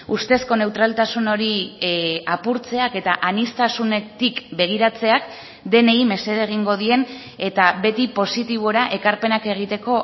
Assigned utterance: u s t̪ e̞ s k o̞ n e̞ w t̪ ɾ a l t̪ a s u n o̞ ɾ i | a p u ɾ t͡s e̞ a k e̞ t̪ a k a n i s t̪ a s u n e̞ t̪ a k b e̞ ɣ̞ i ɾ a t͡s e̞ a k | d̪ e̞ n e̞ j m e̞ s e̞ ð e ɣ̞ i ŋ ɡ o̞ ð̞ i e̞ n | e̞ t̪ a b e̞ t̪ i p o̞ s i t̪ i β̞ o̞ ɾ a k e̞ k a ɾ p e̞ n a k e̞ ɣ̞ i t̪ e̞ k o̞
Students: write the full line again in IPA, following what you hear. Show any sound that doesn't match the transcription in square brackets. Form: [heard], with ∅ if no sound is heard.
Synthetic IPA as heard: u s t̪ e̞ s k o̞ n e̞ w t̪ ɾ a l t̪ a s u n o̞ ɾ i | a p u ɾ t͡s e̞ a k e̞ t̪ a [ʔ] a n i s t̪ a s u n e̞ t̪ [i] k b e̞ ɣ̞ i ɾ a t͡s e̞ a k | d̪ e̞ n e̞ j m e̞ s e̞ ð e ɣ̞ i ŋ ɡ o̞ ð̞ i e̞ n | e̞ t̪ a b e̞ t̪ i p o̞ s i t̪ i β̞ o̞ ɾ a [ʔ] e̞ k a ɾ p e̞ n a k e̞ ɣ̞ i t̪ e̞ k o̞